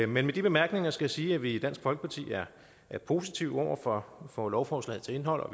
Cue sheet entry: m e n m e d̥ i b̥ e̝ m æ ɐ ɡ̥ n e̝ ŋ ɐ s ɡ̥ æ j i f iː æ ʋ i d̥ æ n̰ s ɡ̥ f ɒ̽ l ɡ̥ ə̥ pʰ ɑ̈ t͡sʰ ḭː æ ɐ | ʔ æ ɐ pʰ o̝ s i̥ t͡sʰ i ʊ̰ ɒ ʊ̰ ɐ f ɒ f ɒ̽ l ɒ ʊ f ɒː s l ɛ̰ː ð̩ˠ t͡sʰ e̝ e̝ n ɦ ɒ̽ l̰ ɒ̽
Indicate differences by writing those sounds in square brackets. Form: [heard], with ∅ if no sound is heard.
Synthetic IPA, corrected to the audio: m e n m e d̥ i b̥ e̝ m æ ɐ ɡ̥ n e̝ ŋ ɐ s ɡ̥ æ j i [s] iː æ ʋ i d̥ æ n̰ s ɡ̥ f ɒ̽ l ɡ̥ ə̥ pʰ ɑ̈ t͡sʰ ḭː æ ɐ | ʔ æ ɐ pʰ o̝ s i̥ t͡sʰ i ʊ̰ ɒ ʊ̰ ɐ f ɒ f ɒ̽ l ɒ ʊ f ɒː s l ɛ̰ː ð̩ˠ t͡sʰ e̝ e̝ n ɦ ɒ̽ l̰ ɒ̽